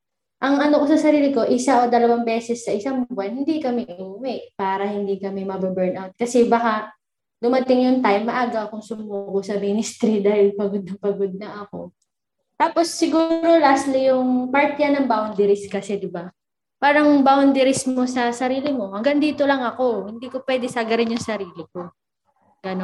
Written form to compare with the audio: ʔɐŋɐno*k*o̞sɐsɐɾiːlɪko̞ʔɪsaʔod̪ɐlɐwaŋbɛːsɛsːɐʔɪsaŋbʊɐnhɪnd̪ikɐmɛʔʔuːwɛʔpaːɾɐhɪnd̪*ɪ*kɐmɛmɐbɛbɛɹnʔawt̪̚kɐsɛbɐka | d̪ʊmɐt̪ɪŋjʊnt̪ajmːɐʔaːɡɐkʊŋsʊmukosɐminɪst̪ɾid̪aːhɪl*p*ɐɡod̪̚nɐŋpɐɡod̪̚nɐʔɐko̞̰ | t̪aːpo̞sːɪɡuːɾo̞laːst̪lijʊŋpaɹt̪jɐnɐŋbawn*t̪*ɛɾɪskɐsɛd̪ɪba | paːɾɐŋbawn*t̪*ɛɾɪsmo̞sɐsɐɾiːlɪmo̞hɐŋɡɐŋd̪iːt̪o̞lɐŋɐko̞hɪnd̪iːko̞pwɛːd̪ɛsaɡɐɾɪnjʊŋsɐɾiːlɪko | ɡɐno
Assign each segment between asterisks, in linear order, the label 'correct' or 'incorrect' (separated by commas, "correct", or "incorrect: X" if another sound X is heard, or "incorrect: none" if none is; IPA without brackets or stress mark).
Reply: correct, incorrect: i, correct, incorrect: d̪, incorrect: d̪